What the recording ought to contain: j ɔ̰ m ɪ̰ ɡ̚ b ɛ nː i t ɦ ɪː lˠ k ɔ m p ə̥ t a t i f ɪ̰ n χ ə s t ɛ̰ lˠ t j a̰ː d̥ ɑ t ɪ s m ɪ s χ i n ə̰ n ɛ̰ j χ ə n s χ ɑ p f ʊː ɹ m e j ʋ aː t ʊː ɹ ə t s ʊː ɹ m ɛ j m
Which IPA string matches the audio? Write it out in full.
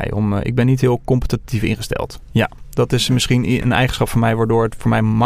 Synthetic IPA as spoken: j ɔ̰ m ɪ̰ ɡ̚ b ɛ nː i t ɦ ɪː lˠ k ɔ m p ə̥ t a t i f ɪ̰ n χ ə s t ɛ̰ lˠ t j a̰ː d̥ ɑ t ɪ s m ɪ s χ i n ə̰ n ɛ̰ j χ ə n s χ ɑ p f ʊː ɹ m ɛ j ʋ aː d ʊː ɹ ə t f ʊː ɹ m ɛ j m